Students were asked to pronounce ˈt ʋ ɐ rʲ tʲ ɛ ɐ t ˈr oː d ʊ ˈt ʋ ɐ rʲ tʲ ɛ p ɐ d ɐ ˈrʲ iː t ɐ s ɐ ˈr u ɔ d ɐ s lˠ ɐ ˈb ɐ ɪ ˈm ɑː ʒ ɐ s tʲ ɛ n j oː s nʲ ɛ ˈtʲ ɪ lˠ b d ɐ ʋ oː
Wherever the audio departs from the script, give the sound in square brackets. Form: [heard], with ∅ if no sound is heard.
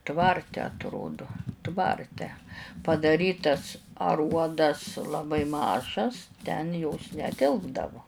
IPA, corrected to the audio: ˈt ʋ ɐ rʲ tʲ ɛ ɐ t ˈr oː d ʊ ˈt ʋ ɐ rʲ tʲ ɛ p ɐ d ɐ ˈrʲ iː t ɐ s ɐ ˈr u ɔ d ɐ s lˠ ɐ ˈb ɐ ɪ ˈm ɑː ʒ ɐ s tʲ ɛ n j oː s nʲ ɛ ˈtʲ ɪ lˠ b d ɐ ʋ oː

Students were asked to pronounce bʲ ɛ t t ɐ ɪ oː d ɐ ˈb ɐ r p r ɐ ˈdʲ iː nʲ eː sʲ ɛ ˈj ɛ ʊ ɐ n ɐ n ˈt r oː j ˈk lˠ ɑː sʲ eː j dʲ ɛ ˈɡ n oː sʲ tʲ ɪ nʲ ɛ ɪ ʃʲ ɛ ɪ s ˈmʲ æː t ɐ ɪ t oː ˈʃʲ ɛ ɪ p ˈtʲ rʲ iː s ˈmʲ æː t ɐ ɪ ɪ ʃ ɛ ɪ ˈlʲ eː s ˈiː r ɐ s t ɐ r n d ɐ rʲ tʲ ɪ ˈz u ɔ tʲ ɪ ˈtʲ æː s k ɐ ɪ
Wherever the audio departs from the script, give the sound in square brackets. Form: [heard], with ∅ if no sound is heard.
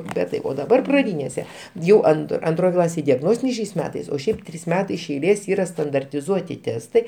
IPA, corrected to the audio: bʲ ɛ t t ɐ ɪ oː d ɐ ˈb ɐ r p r ɐ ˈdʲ iː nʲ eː sʲ ɛ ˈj ɛ ʊ ɐ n ɐ n ˈt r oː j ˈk lˠ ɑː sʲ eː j dʲ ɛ ˈɡ n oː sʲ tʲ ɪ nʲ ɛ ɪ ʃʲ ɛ ɪ s ˈmʲ æː t ɐ ɪ [s] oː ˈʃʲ ɛ ɪ p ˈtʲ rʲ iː s ˈmʲ æː t ɐ ɪ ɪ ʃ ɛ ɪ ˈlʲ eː s ˈiː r ɐ s t ɐ [∅] n d ɐ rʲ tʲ ɪ ˈz u ɔ tʲ ɪ ˈtʲ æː s [t] ɐ ɪ

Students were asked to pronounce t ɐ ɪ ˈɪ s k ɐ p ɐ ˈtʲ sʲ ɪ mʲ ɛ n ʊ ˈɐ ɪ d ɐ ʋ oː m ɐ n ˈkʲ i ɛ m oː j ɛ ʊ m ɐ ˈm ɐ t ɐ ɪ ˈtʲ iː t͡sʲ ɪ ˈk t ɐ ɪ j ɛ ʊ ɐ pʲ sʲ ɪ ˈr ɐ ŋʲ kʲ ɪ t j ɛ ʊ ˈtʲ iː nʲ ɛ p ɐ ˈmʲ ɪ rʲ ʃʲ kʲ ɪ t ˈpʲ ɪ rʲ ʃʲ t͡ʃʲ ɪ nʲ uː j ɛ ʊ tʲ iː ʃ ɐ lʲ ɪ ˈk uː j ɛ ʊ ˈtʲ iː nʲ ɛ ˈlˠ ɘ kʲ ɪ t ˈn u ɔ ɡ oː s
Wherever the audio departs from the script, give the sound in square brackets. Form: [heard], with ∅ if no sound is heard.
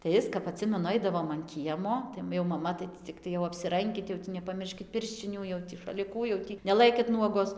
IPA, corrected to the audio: t ɐ ɪ ˈɪ s k ɐ p ɐ ˈtʲ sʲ ɪ mʲ ɛ n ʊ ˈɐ ɪ d ɐ ʋ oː m ɐ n ˈkʲ i ɛ m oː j ɛ ʊ m ɐ ˈm ɐ t ɐ ɪ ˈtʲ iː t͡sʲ ɪ ˈk t ɐ ɪ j ɛ ʊ ɐ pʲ sʲ ɪ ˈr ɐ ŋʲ kʲ ɪ t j ɛ ʊ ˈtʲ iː nʲ ɛ p ɐ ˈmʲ ɪ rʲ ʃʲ kʲ ɪ t ˈpʲ ɪ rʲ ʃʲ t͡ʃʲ ɪ nʲ uː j ɛ ʊ tʲ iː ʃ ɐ lʲ ɪ ˈk uː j ɛ ʊ ˈtʲ iː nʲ ɛ ˈlˠ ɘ kʲ ɪ t ˈn u ɔ ɡ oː s

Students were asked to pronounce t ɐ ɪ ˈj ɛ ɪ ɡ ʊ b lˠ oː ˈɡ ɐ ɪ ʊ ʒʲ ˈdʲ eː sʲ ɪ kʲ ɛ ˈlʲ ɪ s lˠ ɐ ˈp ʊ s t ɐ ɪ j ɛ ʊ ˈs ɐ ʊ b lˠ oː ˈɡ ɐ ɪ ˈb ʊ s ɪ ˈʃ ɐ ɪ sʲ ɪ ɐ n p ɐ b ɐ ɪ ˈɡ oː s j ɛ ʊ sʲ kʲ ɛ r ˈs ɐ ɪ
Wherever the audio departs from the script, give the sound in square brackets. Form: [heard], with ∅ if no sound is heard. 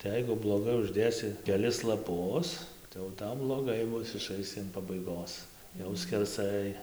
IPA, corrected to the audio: t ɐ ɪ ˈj ɛ ɪ ɡ ʊ b lˠ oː ˈɡ ɐ ɪ ʊ ʒʲ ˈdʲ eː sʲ ɪ kʲ ɛ ˈlʲ ɪ s lˠ ɐ ˈp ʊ s t ɐ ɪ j ɛ ʊ [ˈt] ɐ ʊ b lˠ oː ˈɡ ɐ ɪ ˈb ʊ s ɪ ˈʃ ɐ ɪ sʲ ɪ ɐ n p ɐ b ɐ ɪ ˈɡ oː s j ɛ ʊ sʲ kʲ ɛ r ˈs ɐ ɪ

